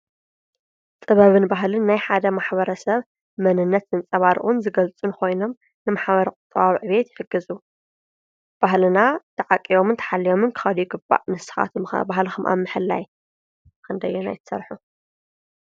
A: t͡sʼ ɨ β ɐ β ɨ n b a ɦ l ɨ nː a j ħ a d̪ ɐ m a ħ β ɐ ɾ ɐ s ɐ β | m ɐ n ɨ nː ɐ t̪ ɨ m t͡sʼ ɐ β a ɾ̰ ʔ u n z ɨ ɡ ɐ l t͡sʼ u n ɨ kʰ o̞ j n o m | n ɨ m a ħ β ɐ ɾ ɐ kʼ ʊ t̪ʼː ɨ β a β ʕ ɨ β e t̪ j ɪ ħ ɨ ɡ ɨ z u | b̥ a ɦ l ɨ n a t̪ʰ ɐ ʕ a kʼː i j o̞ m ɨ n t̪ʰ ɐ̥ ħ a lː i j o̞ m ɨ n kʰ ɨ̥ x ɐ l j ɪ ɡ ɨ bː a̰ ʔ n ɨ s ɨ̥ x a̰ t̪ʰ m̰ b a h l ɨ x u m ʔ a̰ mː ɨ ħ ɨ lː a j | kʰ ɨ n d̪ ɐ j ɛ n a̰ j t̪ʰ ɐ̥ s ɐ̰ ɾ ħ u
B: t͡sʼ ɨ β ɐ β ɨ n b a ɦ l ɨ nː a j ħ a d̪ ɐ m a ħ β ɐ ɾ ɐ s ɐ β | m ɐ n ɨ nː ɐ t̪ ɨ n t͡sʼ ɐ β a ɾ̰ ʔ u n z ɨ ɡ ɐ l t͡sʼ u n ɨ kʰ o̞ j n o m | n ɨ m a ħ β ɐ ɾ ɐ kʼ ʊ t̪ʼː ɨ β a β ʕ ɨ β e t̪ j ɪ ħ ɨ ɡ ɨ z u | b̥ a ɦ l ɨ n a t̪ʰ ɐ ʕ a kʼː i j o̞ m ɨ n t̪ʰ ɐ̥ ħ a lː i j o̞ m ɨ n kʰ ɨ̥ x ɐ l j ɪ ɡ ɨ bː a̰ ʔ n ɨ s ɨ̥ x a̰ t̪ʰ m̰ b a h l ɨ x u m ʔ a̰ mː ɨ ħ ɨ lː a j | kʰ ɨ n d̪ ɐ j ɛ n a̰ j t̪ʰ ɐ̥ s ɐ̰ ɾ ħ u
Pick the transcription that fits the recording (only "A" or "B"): B